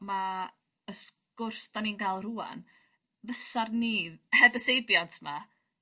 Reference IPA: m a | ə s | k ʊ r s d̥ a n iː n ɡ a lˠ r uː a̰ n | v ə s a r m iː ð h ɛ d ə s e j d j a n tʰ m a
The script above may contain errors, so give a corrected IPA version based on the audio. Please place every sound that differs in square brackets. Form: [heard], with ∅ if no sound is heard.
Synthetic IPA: m a | ə s | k ʊ r s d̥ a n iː n ɡ a lˠ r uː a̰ n | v ə s a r [n] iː ð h ɛ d ə s e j [b] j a n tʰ m a